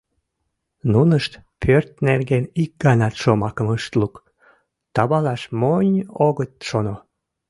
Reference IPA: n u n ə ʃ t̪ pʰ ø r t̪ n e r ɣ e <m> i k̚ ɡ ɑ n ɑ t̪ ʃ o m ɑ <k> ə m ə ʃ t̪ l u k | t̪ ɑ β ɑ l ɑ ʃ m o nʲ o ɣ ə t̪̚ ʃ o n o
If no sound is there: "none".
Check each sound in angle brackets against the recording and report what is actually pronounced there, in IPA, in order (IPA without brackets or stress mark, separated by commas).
n, k